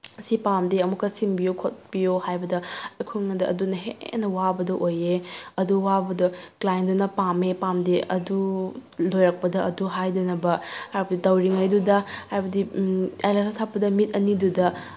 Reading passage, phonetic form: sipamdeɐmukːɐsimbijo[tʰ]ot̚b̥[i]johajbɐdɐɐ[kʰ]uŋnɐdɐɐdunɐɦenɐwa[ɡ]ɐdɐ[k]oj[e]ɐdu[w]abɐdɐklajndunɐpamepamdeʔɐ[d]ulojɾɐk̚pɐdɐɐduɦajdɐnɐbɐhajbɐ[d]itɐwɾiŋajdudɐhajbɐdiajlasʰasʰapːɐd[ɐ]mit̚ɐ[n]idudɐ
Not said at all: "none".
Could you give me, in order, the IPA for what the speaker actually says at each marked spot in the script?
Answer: kʰ, i, kʰ, b, ʔ, e, w, d, d, ɐ, n

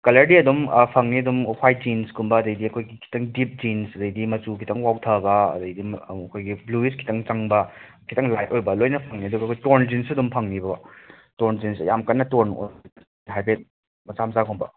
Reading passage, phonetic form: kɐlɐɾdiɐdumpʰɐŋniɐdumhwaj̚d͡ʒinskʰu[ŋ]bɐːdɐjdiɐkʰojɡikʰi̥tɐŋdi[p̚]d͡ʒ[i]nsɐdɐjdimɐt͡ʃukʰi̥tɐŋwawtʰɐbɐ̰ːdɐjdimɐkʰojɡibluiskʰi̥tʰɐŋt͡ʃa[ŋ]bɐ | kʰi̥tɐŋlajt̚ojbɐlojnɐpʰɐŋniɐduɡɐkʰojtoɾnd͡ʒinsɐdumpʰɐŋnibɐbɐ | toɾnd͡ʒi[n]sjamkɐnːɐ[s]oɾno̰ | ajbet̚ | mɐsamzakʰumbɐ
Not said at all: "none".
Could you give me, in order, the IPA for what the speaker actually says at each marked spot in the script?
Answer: m, p̚, i, ŋ, n, t

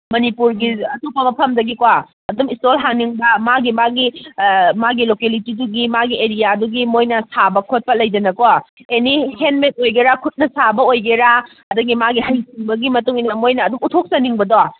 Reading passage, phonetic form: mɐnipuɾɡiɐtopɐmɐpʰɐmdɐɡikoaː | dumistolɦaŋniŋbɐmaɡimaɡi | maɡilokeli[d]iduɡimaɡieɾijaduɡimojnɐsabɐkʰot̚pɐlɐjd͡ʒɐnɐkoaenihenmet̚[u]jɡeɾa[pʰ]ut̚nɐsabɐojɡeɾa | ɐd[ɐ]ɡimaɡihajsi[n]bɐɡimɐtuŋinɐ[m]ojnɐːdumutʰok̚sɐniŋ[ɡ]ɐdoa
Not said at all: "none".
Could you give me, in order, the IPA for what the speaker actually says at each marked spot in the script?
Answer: t, o, kʰ, ɐ, ŋ, m, b

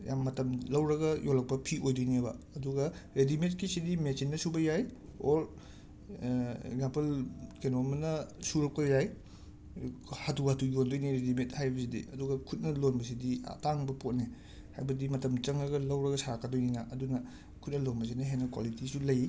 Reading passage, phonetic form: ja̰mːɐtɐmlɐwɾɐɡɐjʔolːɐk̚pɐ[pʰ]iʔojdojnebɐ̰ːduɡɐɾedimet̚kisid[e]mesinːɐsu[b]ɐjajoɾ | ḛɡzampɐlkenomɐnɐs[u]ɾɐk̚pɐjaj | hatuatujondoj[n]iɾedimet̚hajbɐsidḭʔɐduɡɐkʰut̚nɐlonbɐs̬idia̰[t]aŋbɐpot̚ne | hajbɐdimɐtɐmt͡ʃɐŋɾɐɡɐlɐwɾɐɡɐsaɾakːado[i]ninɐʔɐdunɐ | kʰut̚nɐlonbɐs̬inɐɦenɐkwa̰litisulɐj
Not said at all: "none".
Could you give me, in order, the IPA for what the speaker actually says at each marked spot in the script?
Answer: pʰ, i, b, u, n, t, j

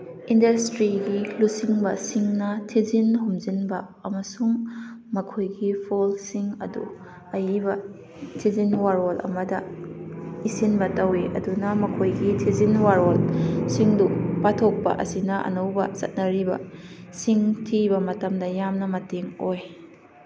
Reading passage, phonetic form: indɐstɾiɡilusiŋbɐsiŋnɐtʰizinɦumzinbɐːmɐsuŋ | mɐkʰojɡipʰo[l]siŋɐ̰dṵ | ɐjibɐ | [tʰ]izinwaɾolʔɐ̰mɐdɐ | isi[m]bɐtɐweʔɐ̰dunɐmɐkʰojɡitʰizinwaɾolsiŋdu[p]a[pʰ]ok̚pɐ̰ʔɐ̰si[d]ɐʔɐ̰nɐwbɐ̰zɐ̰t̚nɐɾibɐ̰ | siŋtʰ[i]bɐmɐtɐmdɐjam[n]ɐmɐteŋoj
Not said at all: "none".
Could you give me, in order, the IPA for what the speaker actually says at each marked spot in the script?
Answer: l, tʰ, n, p, tʰ, n, i, n

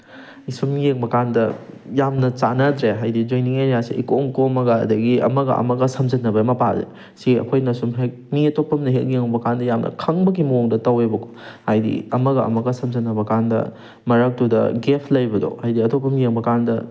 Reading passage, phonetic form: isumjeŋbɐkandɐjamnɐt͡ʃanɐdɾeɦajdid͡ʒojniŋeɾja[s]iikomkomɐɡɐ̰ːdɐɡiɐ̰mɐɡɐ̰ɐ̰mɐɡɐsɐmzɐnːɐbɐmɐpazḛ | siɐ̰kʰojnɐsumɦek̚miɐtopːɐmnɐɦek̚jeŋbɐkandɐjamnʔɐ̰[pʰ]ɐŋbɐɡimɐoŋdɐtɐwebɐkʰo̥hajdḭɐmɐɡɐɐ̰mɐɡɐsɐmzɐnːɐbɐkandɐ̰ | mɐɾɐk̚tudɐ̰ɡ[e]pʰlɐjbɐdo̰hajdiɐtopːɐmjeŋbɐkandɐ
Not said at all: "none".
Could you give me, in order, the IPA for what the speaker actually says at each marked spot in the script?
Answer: s, kʰ, e

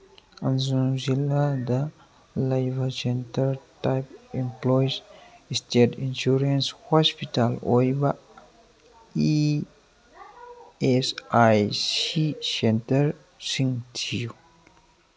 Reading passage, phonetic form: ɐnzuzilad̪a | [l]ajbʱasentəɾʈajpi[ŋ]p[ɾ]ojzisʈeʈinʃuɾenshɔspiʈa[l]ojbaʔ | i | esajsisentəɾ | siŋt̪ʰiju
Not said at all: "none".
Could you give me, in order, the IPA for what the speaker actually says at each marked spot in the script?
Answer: l, m, l, l

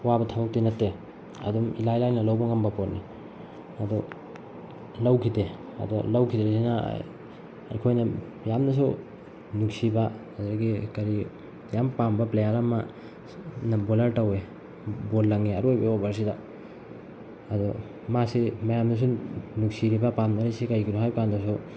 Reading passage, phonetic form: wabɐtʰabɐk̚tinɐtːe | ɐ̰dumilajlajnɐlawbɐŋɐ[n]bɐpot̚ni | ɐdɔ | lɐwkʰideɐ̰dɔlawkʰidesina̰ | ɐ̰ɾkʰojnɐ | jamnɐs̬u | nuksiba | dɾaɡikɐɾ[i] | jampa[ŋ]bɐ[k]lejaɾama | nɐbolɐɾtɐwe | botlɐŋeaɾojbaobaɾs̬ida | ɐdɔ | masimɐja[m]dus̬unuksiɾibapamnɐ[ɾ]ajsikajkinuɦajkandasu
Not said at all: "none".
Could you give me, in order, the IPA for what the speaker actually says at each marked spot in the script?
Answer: m, i, m, p, m, ɾ

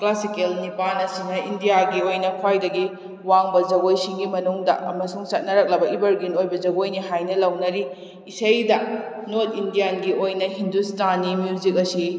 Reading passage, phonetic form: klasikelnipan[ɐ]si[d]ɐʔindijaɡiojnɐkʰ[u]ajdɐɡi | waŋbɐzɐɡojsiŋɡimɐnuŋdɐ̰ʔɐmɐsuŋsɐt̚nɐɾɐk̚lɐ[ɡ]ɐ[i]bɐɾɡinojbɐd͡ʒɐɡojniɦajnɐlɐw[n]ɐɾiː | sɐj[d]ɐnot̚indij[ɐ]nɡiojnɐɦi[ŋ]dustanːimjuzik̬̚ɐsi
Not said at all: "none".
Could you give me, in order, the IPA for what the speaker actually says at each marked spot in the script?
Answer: ɐ, n, w, b, i, n, d, a, n

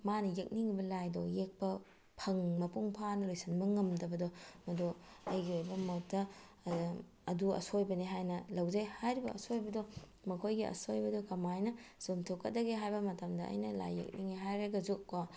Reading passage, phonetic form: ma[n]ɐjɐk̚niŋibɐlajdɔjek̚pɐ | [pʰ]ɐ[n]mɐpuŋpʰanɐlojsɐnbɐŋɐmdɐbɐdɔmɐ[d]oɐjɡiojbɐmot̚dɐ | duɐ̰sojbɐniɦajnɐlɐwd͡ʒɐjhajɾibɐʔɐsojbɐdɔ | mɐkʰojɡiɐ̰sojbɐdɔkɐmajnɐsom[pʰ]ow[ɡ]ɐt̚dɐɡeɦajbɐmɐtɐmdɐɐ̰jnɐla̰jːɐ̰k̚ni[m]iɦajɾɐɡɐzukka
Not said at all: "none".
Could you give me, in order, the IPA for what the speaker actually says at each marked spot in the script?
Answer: n, pʰ, ŋ, d, tʰ, k, ŋ

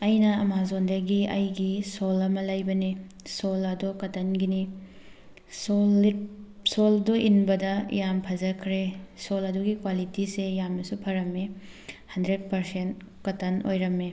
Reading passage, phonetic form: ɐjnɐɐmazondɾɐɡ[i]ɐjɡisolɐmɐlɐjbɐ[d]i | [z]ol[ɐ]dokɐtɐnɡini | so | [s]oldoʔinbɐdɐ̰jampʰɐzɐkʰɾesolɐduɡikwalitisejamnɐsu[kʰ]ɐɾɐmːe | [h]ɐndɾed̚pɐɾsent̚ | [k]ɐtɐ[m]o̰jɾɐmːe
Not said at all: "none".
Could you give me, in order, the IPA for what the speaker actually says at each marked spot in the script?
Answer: i, n, s, ɐ, s, pʰ, h, k, n

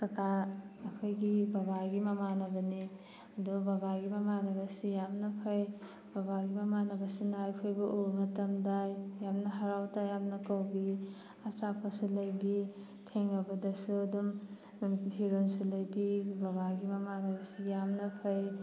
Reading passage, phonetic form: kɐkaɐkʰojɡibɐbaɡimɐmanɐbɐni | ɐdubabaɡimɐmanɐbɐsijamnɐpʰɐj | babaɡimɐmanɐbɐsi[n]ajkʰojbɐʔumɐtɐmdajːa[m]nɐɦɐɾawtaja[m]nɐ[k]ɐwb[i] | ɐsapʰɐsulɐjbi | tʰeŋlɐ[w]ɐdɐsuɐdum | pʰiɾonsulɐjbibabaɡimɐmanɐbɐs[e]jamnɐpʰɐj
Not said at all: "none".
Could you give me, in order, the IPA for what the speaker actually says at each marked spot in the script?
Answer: n, m, m, k, i, b, i

